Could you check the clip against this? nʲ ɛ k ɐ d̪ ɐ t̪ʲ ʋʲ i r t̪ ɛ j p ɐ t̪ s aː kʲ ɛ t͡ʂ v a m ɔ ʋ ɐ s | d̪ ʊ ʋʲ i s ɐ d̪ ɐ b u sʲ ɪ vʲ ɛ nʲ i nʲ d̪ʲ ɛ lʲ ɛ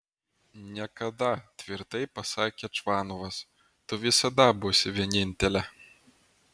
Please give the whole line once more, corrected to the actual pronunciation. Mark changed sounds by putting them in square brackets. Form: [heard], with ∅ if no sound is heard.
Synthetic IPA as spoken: nʲ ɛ k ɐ d̪ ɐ t̪ʲ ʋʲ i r t̪ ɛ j p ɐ [∅] s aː kʲ ɛ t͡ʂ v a [n] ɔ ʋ ɐ s | [t̪] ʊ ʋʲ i s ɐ d̪ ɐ b u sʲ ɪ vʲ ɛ nʲ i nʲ [t̪ʲ] ɛ lʲ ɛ